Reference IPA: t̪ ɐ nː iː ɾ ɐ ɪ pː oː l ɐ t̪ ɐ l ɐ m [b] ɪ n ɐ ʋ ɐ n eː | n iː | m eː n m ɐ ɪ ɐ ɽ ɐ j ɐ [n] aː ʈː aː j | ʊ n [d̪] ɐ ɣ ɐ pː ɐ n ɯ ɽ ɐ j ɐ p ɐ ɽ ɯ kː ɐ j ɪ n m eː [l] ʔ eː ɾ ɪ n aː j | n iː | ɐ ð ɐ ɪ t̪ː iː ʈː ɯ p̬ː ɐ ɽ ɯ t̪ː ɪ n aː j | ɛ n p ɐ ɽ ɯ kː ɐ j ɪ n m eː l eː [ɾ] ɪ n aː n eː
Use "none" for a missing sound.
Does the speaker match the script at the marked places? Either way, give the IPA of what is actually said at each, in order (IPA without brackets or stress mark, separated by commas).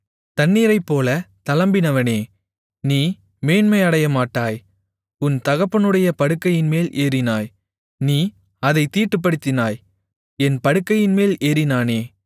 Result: b, m, t̪, l, ɾ